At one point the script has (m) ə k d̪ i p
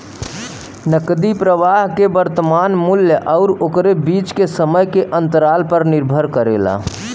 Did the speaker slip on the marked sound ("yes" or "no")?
yes